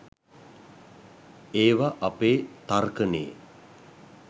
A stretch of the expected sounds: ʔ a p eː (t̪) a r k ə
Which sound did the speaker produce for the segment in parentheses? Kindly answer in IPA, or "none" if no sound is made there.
t̪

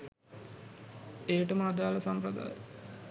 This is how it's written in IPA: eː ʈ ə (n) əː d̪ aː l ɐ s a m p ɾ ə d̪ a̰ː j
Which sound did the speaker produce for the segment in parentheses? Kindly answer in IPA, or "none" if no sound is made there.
m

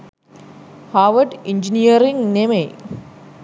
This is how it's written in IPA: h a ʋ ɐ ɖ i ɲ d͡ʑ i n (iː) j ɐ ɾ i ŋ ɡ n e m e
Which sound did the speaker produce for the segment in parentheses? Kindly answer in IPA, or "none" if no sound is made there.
i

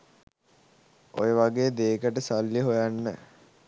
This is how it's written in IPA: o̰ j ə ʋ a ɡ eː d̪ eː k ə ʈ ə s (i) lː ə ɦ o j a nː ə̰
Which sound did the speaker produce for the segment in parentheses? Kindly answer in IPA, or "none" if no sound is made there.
a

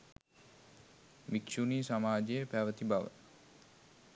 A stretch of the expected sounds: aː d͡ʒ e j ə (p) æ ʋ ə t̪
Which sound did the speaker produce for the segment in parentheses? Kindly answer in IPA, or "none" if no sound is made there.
p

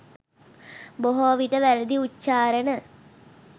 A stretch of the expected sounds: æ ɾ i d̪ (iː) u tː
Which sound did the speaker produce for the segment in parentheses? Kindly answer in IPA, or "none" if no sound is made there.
i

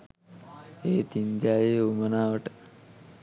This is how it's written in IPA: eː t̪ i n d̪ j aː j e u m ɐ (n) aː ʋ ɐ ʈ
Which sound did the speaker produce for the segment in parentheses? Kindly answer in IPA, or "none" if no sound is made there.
n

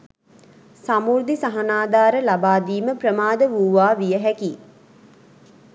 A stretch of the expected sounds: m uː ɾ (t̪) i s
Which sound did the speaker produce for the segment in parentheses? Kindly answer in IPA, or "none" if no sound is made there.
d̪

